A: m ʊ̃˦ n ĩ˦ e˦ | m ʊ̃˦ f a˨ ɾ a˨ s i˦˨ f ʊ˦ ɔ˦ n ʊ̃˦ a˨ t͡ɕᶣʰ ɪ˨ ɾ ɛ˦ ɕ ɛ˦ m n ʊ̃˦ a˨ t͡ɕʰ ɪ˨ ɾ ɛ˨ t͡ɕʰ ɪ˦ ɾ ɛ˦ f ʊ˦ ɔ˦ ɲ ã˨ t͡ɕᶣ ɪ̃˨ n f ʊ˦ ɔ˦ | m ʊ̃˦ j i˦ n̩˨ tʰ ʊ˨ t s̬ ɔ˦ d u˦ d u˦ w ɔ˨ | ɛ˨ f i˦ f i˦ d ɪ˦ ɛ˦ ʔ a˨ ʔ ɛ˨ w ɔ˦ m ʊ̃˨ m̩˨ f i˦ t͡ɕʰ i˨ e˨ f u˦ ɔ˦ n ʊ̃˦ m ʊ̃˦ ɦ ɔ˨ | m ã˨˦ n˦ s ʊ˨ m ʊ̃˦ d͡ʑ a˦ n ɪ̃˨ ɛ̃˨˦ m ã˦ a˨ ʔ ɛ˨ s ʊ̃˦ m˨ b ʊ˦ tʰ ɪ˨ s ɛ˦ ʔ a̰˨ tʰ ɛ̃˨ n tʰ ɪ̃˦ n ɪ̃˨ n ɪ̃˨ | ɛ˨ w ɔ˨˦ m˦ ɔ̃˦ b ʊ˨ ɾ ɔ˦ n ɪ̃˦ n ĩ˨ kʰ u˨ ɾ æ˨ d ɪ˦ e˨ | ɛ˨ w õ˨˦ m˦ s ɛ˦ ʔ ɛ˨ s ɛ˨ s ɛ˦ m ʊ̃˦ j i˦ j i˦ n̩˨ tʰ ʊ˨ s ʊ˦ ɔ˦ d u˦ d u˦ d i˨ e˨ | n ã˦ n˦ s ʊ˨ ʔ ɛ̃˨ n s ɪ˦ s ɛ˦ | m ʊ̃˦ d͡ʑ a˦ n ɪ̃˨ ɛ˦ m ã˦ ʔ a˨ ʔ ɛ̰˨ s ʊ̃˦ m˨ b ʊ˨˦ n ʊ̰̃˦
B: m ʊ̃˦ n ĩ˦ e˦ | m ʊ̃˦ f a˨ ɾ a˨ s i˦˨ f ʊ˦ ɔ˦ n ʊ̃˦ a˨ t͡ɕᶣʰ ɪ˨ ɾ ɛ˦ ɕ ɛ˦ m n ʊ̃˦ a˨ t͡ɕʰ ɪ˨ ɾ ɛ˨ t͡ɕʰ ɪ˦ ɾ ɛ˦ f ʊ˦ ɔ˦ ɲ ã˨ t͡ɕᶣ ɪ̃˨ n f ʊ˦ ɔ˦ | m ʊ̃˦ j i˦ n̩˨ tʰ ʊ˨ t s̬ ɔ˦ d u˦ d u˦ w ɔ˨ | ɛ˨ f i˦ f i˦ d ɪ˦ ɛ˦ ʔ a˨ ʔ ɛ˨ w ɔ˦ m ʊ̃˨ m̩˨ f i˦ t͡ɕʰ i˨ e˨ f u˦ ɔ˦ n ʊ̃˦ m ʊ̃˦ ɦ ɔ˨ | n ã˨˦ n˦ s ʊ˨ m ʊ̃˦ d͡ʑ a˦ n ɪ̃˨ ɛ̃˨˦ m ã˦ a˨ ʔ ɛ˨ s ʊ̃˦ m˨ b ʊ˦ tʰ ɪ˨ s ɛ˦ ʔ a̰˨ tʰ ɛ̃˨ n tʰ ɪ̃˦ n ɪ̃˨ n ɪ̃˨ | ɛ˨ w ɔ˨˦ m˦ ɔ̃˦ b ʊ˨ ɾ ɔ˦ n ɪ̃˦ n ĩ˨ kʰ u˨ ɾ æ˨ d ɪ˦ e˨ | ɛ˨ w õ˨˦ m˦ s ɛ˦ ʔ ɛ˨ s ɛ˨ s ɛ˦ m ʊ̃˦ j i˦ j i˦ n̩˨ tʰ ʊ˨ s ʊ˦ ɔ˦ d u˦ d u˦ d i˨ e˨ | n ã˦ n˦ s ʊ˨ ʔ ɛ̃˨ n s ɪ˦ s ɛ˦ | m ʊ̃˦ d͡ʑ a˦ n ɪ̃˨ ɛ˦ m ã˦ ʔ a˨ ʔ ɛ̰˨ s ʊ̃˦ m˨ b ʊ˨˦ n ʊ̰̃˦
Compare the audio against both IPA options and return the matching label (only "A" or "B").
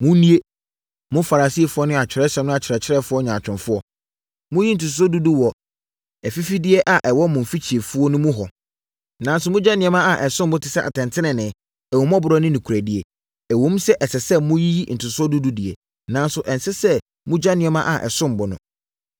B